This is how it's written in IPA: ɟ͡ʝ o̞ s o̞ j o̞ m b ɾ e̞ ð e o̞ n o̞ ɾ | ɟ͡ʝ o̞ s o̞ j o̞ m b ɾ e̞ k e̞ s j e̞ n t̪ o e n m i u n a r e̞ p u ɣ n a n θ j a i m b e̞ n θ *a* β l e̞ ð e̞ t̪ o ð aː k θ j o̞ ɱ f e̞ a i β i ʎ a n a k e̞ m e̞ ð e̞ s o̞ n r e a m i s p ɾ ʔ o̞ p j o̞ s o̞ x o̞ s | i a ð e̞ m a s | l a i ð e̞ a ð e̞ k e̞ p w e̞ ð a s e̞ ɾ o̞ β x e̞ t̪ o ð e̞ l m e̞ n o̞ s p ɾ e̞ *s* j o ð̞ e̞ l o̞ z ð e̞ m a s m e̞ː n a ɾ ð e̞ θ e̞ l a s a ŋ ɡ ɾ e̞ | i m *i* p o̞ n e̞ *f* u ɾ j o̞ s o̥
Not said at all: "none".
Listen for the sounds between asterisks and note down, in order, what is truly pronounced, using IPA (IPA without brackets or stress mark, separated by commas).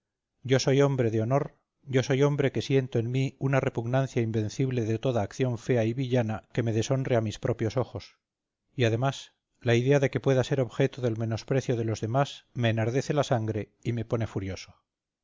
i, θ, e, f